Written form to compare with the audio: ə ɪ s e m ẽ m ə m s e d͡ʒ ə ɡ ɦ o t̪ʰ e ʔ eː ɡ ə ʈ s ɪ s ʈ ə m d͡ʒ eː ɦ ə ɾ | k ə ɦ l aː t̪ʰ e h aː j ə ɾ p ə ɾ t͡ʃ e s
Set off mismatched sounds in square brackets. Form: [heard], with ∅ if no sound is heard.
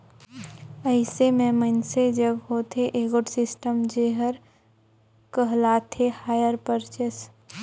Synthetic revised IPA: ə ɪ s e m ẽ m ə [n] s e d͡ʒ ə ɡ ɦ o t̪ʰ e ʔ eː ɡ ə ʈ s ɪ s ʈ ə m d͡ʒ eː ɦ ə ɾ | k ə ɦ l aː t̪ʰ e h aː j ə ɾ p ə ɾ t͡ʃ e s